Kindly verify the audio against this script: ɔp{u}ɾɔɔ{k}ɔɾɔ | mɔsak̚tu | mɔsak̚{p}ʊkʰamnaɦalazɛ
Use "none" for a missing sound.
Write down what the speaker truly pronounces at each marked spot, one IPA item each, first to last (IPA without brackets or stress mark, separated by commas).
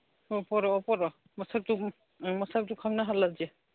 ɔ, p, t